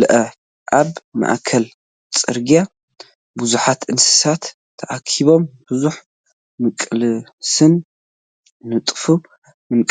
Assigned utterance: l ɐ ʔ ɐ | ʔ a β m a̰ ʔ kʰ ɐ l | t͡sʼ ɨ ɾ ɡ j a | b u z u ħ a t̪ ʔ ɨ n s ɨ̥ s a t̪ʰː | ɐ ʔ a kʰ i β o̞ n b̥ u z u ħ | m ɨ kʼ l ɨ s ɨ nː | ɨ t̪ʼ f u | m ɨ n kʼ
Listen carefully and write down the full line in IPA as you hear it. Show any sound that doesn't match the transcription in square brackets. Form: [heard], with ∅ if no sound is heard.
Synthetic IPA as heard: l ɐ ʔ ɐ | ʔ a β m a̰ ʔ kʰ ɐ l | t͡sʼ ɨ ɾ ɡ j a | b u z u ħ a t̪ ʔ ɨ n s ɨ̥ s a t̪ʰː | ɐ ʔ a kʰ i β o̞ [m] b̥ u z u ħ | m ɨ kʼ l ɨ s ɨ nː | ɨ t̪ʼ f u | m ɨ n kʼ